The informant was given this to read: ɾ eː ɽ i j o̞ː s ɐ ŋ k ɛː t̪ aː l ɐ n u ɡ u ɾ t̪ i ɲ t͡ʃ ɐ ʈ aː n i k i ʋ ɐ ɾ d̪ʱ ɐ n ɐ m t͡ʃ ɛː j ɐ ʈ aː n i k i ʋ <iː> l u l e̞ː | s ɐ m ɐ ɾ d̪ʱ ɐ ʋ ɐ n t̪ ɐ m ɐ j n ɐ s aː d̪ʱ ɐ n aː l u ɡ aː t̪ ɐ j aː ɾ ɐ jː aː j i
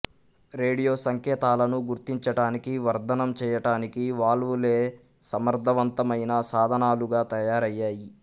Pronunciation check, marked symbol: incorrect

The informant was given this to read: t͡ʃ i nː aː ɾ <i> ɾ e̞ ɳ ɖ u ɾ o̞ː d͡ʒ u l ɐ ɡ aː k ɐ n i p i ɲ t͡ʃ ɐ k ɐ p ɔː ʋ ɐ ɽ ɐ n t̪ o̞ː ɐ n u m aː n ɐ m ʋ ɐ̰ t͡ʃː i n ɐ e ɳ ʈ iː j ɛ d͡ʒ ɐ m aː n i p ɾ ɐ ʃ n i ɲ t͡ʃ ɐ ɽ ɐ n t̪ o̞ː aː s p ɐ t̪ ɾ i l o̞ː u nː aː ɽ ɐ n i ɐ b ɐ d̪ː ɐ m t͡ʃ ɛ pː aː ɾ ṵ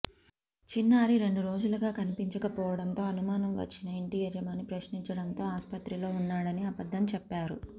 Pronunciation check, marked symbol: correct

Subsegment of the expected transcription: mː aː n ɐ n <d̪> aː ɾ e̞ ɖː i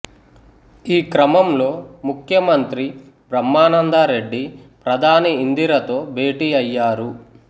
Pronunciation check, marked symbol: correct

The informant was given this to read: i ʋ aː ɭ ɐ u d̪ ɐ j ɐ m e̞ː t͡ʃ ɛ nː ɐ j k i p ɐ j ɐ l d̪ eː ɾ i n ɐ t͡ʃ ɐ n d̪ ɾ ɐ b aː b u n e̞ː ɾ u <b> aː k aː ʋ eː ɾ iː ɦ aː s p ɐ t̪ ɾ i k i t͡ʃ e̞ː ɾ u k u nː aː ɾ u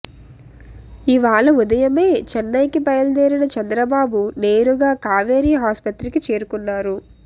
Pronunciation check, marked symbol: incorrect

